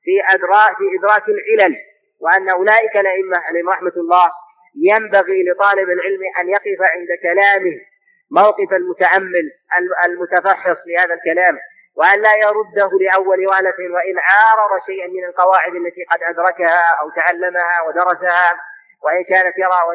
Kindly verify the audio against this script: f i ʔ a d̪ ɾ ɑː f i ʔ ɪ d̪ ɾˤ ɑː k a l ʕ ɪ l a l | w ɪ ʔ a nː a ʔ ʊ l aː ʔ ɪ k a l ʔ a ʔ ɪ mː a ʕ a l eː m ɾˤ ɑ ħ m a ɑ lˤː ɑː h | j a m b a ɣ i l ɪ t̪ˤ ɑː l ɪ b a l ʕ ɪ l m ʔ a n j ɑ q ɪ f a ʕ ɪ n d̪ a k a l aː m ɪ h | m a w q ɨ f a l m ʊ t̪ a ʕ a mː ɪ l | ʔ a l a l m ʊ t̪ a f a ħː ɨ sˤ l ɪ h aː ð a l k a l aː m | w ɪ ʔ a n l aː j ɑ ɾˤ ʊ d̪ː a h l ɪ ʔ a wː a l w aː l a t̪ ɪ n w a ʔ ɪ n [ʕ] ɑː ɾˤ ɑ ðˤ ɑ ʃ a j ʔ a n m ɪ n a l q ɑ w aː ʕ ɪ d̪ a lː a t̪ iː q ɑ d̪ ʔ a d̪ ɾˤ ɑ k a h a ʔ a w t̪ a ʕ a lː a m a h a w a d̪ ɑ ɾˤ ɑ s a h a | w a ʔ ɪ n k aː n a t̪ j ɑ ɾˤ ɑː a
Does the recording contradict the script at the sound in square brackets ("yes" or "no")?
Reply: no